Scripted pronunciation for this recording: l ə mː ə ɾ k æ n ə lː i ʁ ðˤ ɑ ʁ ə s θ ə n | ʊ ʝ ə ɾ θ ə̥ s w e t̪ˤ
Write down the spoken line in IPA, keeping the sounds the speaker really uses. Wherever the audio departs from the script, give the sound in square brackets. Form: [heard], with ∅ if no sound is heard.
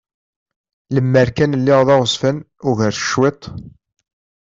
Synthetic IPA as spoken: l ə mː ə ɾ k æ n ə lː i ʁ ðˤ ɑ ʁ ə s [f] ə n | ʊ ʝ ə ɾ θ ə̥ [ʃ] w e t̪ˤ